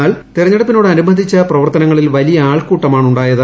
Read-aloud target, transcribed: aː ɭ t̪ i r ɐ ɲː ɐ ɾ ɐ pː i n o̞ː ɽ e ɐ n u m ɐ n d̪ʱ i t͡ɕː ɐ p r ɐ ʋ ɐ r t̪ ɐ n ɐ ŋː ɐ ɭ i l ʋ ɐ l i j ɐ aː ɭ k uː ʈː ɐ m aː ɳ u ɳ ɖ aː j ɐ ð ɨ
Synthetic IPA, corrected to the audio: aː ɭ t̪ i r ɐ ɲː ɐ ɽ ɐ pː i n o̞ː ɽ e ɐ n u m ɐ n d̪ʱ i t͡ɕː ɐ p r ɐ ʋ ɐ r t̪ ɐ n ɐ ŋː ɐ ɭ i l ʋ ɐ l i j ɐ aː ɭ k uː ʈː ɐ m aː ɳ u ɳ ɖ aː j ɐ ð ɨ